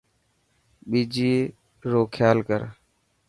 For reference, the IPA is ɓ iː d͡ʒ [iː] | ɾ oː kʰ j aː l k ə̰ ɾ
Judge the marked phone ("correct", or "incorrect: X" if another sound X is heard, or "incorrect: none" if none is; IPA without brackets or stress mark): correct